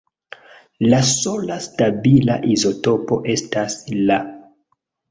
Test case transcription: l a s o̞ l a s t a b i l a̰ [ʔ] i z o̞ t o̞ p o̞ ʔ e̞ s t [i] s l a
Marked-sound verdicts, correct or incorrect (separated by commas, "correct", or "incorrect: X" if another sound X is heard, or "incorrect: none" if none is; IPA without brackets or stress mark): correct, incorrect: a